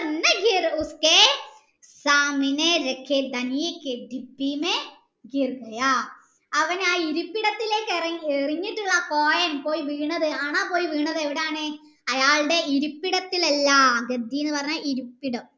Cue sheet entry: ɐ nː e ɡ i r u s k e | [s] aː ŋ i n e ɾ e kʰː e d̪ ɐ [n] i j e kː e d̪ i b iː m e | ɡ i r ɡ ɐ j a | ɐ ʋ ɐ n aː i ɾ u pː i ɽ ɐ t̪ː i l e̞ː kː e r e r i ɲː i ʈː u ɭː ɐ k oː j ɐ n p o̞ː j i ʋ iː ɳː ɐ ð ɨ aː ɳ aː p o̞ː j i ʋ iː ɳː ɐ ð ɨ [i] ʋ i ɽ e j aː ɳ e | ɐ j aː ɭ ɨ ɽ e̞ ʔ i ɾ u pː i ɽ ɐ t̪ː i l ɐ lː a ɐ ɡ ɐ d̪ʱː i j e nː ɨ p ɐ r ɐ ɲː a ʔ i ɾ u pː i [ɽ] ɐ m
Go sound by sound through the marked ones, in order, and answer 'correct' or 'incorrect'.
correct, correct, incorrect: e, correct

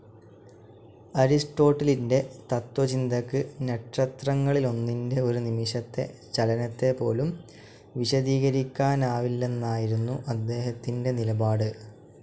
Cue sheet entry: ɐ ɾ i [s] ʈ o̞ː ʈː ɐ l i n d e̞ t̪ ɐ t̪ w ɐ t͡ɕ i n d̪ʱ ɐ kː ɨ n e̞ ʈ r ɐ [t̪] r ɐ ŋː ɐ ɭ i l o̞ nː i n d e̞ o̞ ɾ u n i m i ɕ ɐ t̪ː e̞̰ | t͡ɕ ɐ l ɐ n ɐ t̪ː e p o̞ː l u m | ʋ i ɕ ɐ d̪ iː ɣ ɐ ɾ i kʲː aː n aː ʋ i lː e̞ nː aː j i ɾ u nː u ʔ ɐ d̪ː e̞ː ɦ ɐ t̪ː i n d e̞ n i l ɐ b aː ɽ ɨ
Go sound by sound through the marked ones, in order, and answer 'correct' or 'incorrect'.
correct, correct

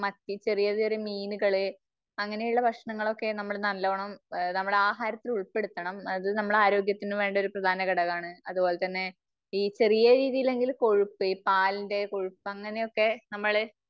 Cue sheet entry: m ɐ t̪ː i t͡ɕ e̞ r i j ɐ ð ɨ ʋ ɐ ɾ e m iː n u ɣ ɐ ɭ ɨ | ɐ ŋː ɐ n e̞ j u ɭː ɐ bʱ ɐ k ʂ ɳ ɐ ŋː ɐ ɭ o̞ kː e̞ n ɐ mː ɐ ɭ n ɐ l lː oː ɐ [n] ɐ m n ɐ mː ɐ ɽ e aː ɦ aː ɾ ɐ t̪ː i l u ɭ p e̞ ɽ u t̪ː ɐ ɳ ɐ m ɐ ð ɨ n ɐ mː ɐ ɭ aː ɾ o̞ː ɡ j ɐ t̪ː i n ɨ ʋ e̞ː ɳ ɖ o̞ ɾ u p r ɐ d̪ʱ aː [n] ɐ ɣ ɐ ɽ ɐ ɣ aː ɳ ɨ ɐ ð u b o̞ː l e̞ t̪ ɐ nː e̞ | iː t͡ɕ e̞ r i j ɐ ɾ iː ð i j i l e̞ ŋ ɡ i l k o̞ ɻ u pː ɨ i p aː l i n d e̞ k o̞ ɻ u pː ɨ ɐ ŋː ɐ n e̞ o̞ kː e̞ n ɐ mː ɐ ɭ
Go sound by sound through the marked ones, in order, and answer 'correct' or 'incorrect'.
incorrect: ɳ, correct

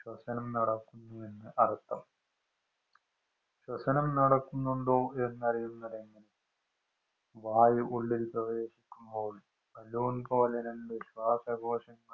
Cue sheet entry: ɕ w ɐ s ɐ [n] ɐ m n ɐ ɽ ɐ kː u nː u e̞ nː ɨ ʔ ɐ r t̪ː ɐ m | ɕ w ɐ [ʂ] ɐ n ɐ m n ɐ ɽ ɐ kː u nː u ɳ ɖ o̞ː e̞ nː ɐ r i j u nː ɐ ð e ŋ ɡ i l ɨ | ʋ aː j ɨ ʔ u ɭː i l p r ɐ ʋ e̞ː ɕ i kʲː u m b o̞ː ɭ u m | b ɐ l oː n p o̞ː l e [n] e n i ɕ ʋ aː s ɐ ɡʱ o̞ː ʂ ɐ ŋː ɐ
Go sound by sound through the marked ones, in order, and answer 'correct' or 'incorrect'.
correct, incorrect: s, correct

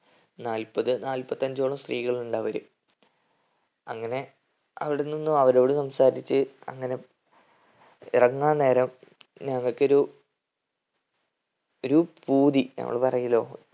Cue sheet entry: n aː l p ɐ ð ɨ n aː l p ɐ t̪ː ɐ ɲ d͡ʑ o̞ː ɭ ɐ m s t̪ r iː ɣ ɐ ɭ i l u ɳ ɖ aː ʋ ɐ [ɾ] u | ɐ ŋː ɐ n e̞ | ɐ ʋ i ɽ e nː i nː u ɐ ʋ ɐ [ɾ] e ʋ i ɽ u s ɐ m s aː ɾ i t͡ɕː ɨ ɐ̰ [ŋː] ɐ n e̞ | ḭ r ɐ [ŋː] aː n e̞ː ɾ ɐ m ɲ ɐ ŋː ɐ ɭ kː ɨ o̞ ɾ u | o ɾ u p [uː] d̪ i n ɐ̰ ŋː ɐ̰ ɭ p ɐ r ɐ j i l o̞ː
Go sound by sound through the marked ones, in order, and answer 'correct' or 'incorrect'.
correct, correct, correct, correct, correct

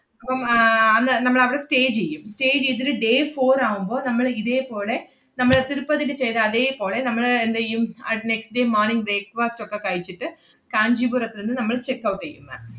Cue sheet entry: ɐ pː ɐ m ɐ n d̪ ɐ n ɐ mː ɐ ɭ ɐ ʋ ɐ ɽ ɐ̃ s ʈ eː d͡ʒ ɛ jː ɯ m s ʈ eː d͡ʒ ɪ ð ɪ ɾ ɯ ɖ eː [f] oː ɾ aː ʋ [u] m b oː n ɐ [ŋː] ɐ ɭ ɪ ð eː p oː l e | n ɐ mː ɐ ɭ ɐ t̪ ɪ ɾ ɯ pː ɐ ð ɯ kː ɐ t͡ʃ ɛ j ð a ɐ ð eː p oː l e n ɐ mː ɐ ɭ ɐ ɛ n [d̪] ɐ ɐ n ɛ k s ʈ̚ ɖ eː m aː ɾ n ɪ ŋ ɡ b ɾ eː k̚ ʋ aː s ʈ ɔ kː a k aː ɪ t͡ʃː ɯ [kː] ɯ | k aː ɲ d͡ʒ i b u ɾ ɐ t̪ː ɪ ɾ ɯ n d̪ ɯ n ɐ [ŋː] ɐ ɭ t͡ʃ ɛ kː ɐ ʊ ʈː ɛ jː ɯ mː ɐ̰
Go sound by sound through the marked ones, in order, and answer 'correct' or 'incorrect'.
correct, incorrect: ɯ, incorrect: mː, correct, incorrect: ʈː, incorrect: mː

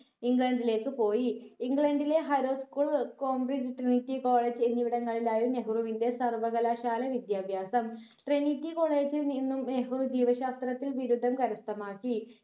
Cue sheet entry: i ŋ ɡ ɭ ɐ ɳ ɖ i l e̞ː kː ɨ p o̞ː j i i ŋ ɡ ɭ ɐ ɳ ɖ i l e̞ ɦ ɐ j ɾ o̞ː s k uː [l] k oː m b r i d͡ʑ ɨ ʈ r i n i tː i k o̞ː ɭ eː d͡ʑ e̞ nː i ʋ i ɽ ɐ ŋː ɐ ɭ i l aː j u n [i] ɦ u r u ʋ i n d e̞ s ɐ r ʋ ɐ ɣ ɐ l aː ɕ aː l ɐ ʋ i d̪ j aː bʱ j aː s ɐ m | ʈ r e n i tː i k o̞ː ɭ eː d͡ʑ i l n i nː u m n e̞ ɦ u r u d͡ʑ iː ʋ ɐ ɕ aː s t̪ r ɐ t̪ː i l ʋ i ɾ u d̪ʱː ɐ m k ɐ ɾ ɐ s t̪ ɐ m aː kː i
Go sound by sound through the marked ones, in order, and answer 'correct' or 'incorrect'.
incorrect: ɭ, incorrect: e

